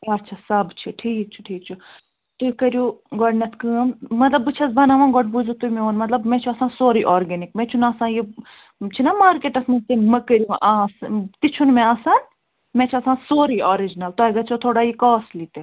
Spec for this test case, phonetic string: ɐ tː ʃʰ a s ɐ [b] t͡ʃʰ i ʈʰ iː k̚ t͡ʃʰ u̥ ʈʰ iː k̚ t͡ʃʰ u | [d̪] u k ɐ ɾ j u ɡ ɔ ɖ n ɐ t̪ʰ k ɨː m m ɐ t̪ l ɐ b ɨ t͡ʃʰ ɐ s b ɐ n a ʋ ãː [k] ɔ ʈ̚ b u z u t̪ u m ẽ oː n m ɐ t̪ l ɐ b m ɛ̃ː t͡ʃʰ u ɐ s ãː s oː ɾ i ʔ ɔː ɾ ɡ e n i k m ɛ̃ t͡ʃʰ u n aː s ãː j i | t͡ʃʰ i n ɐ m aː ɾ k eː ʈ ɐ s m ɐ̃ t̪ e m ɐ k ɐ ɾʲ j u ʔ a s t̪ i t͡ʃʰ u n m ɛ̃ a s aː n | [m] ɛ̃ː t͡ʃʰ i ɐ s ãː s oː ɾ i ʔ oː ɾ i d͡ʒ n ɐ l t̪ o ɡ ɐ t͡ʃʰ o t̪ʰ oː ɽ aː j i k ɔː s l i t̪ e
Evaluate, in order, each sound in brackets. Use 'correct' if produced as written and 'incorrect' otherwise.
correct, incorrect: t̪, incorrect: ɡ, correct

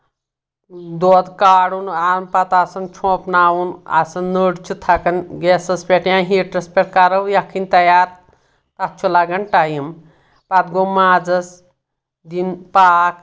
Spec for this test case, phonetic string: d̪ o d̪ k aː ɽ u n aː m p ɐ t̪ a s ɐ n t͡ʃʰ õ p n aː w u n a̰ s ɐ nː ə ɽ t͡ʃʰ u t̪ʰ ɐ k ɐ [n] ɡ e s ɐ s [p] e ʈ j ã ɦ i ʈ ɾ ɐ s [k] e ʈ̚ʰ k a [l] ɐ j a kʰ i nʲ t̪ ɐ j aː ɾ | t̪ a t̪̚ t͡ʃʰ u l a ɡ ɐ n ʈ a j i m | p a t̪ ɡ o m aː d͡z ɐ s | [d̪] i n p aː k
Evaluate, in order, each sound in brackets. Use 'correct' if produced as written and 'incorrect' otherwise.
correct, correct, incorrect: p, incorrect: ɾ, correct

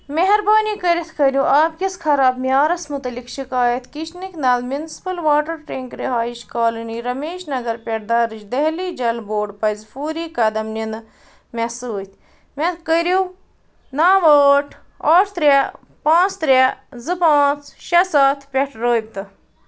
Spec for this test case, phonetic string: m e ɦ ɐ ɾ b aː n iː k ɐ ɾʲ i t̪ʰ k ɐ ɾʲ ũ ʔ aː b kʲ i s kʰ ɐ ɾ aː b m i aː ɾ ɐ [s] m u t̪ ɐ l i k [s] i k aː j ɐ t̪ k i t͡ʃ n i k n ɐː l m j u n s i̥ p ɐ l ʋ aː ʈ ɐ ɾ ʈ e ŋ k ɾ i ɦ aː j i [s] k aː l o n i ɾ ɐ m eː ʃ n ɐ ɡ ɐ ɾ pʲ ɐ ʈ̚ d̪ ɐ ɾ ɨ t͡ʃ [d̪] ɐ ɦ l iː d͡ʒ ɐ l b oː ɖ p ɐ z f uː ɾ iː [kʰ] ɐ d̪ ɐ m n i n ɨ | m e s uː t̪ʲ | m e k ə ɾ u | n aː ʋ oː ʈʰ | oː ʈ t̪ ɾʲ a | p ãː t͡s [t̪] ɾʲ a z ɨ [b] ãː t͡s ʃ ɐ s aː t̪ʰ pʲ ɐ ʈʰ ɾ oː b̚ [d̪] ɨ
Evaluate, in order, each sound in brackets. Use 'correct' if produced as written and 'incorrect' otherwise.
correct, incorrect: ʃ, incorrect: ʃ, correct, incorrect: k, correct, incorrect: p, incorrect: t̪

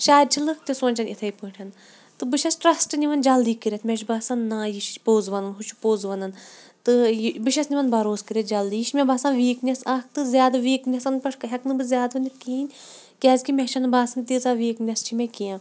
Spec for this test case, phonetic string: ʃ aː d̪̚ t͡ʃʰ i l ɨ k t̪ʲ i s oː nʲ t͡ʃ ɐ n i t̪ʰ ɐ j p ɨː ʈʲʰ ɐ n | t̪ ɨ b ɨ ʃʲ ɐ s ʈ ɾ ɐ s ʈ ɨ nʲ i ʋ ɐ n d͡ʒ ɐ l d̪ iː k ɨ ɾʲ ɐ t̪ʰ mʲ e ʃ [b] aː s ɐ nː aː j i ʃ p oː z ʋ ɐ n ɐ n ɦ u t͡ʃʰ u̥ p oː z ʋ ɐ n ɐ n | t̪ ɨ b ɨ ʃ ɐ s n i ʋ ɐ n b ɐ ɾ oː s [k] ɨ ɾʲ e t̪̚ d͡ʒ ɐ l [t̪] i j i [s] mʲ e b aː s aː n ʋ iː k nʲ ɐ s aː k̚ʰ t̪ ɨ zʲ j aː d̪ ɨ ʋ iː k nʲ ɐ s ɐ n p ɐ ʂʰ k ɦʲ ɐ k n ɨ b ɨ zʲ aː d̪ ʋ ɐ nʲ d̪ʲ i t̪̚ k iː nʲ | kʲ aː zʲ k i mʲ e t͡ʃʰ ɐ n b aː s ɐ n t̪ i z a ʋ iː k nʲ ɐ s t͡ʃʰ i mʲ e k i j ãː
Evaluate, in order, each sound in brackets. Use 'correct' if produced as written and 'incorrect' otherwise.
correct, correct, incorrect: d̪, incorrect: ʃ

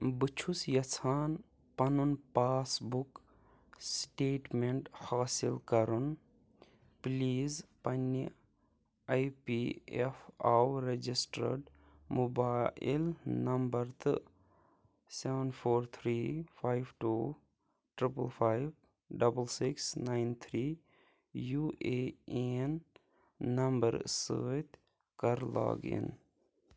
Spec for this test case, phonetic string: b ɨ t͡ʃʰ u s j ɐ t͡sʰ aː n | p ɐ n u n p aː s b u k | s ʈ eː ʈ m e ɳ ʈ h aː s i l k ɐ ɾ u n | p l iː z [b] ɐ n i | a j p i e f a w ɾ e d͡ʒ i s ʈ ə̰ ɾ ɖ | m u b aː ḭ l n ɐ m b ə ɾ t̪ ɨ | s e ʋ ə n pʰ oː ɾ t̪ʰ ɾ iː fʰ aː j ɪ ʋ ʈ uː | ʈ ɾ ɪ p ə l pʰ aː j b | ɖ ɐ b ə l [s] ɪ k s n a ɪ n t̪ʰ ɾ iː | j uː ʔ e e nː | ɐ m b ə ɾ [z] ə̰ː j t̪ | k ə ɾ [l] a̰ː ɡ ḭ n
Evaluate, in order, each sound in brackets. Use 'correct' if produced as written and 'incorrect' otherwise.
incorrect: p, correct, incorrect: s, correct

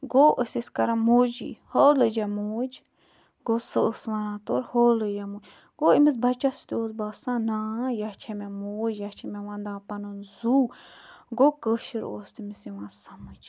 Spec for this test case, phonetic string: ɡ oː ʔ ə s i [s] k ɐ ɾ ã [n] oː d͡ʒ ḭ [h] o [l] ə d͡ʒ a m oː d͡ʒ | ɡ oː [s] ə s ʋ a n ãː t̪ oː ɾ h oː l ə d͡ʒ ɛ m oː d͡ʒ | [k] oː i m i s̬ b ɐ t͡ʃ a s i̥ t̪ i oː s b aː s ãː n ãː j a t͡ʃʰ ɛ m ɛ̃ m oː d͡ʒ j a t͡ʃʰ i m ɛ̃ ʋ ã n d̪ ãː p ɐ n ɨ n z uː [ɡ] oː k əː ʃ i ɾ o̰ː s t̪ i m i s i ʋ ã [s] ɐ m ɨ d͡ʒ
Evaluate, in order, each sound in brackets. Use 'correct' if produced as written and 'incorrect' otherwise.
correct, incorrect: m, correct, correct, correct, incorrect: ɡ, correct, correct

